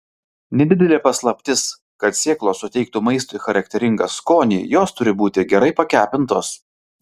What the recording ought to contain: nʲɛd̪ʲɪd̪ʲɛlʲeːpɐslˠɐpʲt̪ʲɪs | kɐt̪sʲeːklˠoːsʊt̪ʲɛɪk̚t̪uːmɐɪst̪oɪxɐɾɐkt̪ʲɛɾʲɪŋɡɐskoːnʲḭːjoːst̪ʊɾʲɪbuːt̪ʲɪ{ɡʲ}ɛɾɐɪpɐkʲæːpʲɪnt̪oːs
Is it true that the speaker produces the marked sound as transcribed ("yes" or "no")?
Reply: yes